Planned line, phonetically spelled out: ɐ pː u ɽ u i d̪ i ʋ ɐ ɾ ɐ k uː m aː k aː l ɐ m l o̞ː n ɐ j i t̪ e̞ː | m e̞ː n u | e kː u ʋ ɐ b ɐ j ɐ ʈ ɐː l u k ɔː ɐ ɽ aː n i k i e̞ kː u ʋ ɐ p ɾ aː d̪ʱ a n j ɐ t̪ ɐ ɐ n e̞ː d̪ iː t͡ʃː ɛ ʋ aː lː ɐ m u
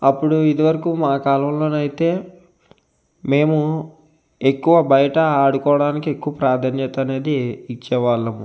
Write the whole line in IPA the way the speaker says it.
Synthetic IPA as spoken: ɐ pː u ɽ u i d̪ i ʋ ɐ ɾ ɐ k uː m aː k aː l ɐ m l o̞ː n ɐ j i t̪ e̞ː | m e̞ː m u | e kː u ʋ ɐ b ɐ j ɐ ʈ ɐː ɽ u k ɔː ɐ ɽ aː n i k i e̞ kː u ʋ ɐ p ɾ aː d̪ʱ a n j ɐ t̪ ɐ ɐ n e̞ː d̪ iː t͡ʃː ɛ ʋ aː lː ɐ m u

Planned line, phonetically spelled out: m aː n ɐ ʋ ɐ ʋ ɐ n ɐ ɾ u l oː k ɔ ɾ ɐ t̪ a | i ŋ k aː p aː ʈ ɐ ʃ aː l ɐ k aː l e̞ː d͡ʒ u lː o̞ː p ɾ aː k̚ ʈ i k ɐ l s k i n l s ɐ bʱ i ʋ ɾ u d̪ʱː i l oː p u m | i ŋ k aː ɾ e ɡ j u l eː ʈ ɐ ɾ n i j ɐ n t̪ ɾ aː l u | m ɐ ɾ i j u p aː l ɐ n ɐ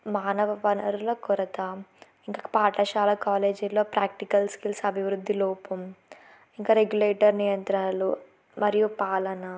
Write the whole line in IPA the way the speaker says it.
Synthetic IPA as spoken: m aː n ɐ ʋ ɐ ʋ ɐ n ɐ ɾ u l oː k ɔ ɾ ɐ t̪ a | i ŋ k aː p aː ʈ ɐ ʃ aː l ɐ k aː l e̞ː d͡ʒ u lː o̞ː p ɾ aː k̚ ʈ i k ɐ l s k i l s ɐ bʱ i ʋ ɾ u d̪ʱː i l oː p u m | i ŋ k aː ɾ e ɡ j u l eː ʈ ɐ ɾ n i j ɐ n t̪ ɾ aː l u | m ɐ ɾ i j u p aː l ɐ n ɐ

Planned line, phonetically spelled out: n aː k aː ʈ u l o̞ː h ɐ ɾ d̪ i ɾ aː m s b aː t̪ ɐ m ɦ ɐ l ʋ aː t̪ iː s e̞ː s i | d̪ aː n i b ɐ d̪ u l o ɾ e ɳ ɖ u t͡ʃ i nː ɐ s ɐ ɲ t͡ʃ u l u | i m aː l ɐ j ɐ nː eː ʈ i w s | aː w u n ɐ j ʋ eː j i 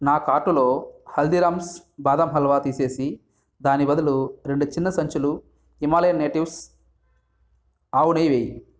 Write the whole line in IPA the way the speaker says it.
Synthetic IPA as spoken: n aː k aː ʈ u l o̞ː h ɐ l d̪ i ɾ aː m s b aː d̪ ɐ m ɦ ɐ l ʋ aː t̪ iː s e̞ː s i | d̪ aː n i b ɐ d̪ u l u ɾ e ɳ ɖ u t͡ʃ i nː ɐ s ɐ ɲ t͡ʃ u l u | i m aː l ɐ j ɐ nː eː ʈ i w s | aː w u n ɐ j ʋ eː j i

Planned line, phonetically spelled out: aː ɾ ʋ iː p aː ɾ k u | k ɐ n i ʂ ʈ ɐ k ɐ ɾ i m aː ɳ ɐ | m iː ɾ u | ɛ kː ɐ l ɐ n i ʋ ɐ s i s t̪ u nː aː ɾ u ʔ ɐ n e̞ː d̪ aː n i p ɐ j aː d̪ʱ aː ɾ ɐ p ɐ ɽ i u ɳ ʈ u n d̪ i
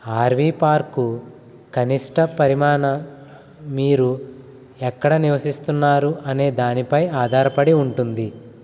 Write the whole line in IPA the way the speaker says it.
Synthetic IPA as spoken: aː ɾ ʋ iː p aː ɾ k u | k ɐ n i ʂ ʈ ɐ p ɐ ɾ i m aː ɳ ɐ | m iː ɾ u | ɛ kː ɐ ɽ ɐ n i ʋ ɐ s i s t̪ u nː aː ɾ u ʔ ɐ n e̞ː d̪ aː n i p ɐ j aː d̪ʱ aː ɾ ɐ p ɐ ɽ i u ɳ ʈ u n d̪ i

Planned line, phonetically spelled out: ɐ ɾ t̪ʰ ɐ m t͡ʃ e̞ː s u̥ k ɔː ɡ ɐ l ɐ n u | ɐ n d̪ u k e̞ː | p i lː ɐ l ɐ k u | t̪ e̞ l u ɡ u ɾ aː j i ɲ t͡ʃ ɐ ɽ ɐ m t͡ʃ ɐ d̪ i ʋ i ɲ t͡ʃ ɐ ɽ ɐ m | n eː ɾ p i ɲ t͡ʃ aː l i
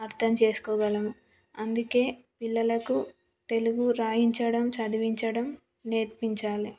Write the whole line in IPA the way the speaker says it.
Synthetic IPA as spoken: ɐ ɾ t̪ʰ ɐ m t͡ʃ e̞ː s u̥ k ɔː ɡ ɐ l ɐ m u | ɐ n d̪ u k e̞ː | p i lː ɐ l ɐ k u | t̪ e̞ l u ɡ u ɾ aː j i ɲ t͡ʃ ɐ ɽ ɐ m t͡ʃ ɐ d̪ i ʋ i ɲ t͡ʃ ɐ ɽ ɐ m | n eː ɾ p i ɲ t͡ʃ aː l i

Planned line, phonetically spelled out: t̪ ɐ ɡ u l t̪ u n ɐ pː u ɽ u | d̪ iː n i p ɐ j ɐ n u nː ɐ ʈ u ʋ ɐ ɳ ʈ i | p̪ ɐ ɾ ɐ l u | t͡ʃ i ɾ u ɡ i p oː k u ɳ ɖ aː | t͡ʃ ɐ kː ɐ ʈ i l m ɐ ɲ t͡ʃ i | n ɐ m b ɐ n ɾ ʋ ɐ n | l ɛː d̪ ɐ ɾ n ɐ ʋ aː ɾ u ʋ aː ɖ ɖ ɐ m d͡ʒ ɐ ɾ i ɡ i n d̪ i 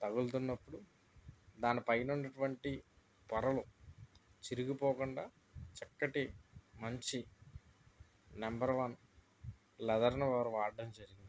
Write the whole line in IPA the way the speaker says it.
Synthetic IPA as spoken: t̪ ɐ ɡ u l t̪ u nː ɐ pː u ɽ u | d̪ aː n i p ɐ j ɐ n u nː ɐ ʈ u ʋ ɐ ɳ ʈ i | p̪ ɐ ɾ ɐ l u | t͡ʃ i ɾ u ɡ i p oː k u ɳ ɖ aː | t͡ʃ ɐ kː ɐ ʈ i m ɐ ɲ t͡ʃ i | n ɐ m b ɐ ɾ ʋ ɐ n | l ɛ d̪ ɐ ɾ n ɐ ʋ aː ɾ u ʋ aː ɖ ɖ ɐ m d͡ʒ ɐ ɾ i ɡ i n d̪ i

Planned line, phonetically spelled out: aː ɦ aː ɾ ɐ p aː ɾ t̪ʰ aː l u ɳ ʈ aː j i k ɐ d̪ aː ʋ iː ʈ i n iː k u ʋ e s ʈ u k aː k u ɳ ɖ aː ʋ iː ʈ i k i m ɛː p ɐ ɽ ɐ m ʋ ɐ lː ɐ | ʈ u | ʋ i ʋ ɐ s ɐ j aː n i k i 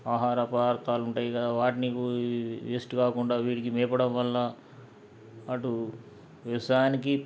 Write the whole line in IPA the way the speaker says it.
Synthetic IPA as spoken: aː ɦ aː ɾ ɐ p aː ɾ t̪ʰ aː l u ɳ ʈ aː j i k ɐ d̪ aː ʋ aː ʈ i n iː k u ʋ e s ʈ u k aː k u ɳ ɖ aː ʋ iː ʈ i k i m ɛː p ɐ ɽ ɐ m ʋ ɐ lː ɐ | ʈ u | ʋ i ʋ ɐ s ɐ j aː n i k i

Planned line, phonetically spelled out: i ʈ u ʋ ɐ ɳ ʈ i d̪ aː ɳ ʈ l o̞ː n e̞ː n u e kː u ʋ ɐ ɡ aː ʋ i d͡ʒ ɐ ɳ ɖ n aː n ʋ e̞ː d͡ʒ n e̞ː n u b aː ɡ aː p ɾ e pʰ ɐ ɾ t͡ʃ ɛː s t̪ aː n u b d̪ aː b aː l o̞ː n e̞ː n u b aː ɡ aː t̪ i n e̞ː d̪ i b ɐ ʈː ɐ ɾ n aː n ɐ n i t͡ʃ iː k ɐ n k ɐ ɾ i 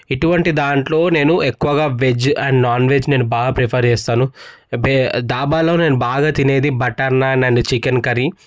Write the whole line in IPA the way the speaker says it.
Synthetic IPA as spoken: i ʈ u ʋ ɐ ɳ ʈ i d̪ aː ɳ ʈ l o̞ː n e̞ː n u e kː u ʋ ɐ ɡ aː ʋ e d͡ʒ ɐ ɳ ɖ n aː n ʋ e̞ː d͡ʒ n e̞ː n u b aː ɡ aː p ɾ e pʰ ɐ ɾ t͡ʃ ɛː s t̪ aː n u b d̪ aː b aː l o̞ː n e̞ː n u b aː ɡ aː t̪ i n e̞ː d̪ i b ɐ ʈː ɐ ɾ n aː n ɐ n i t͡ʃ i k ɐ n k ɐ ɾ i

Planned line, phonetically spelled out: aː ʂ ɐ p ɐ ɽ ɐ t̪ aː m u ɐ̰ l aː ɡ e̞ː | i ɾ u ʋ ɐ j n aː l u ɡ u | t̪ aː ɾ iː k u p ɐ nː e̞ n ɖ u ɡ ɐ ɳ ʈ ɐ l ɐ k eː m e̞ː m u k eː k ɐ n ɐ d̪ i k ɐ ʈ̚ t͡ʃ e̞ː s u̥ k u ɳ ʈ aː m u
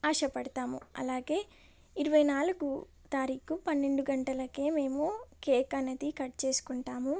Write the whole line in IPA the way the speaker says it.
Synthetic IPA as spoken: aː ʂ ɐ p ɐ ɽ ɐ t̪ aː m u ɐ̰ l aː ɡ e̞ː | i ɾ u ʋ ɐ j n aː l u ɡ u | t̪ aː ɾ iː k u p ɐ nː e̞ ɳ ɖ u ɡ ɐ ɳ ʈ ɐ l ɐ k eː m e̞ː m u k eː k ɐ n ɐ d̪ i k ɐ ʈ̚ t͡ʃ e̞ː s u̥ k u ɳ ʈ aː m u

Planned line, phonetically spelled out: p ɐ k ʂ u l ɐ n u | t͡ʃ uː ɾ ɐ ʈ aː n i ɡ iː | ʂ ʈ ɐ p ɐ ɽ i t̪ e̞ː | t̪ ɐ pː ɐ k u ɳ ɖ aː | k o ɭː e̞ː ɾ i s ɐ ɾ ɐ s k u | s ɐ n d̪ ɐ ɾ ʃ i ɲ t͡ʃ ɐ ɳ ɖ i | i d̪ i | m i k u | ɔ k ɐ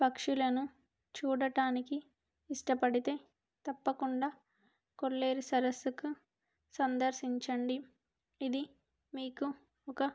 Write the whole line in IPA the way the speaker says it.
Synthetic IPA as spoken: p ɐ k ʂ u l ɐ n u | t͡ʃ uː ɽ ɐ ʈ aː n i k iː | ʂ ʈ ɐ p ɐ ɽ i t̪ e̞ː | t̪ ɐ pː ɐ k u ɳ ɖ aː | k o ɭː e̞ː ɾ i s ɐ ɾ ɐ s k u | s ɐ n d̪ ɐ ɾ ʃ i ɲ t͡ʃ ɐ ɳ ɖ i | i d̪ i | m iː k u | ɔ k ɐ

